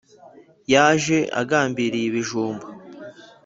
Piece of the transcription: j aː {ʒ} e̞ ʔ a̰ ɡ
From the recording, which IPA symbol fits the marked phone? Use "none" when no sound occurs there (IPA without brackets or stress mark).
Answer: ʒ